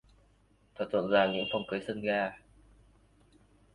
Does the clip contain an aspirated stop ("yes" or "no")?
yes